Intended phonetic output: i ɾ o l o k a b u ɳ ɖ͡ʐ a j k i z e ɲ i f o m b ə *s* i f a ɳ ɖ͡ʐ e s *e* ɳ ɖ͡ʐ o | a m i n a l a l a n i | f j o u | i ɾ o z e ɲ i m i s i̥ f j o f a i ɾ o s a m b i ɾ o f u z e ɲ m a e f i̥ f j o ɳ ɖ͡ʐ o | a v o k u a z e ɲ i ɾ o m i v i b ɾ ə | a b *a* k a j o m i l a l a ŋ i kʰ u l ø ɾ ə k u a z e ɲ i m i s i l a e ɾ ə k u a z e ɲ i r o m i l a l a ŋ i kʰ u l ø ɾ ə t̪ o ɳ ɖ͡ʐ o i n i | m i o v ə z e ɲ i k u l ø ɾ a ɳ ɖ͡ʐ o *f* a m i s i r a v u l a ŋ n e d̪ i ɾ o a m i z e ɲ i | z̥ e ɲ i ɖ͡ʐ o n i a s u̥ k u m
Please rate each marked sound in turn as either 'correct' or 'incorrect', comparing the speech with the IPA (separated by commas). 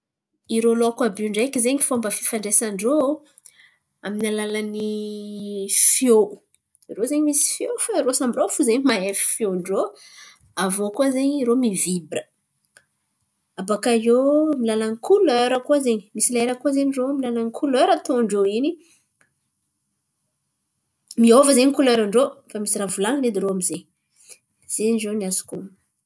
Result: incorrect, incorrect, correct, correct